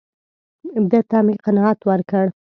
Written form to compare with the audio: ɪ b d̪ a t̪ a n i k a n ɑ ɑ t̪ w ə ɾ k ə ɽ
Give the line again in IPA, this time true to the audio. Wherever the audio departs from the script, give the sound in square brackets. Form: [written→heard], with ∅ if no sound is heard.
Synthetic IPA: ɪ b d̪ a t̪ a [n→m] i [k→q] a n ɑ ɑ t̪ w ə ɾ k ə ɽ